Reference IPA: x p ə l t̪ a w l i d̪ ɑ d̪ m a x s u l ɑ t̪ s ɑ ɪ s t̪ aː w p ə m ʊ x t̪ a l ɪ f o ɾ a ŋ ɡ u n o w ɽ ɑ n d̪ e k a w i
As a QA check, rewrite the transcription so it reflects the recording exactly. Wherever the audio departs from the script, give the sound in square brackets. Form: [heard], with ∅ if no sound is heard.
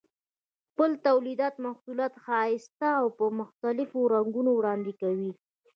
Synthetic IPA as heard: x p ə l t̪ a w l i d̪ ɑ [t̪] m a x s u l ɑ t̪ [x] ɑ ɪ s t̪ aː w p ə m ʊ x t̪ a l ɪ f o ɾ a ŋ ɡ u n o w ɽ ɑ n d̪ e k a w i